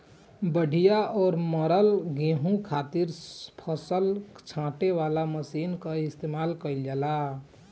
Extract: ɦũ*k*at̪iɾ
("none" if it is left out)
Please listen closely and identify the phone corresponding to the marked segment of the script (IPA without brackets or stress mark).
kʰ